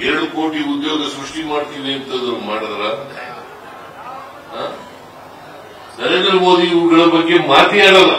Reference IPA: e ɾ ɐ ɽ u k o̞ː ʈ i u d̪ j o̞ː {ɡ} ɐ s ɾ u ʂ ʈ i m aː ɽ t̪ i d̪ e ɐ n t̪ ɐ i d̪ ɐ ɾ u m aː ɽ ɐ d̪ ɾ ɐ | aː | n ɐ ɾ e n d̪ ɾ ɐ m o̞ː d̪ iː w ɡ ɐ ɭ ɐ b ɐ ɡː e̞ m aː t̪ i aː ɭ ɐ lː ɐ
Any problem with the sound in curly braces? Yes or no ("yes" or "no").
no